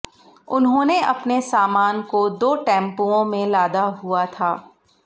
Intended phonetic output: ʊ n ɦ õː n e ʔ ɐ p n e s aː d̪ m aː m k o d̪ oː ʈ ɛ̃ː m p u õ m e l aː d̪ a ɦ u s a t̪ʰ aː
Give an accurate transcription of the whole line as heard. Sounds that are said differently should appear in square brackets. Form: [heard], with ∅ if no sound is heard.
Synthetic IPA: ʊ n ɦ õː n e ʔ ɐ p n e s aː [∅] m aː [n] k o d̪ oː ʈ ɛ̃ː m p u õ m [ẽ] l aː d̪ a ɦ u [∅] a t̪ʰ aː